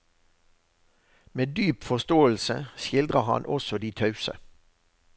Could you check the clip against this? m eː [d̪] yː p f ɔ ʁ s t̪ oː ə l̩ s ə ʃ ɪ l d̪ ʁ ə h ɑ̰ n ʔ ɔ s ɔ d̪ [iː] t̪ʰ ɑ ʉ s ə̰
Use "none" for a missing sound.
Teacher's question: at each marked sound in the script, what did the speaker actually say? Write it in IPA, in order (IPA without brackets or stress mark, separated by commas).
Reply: d̪, iː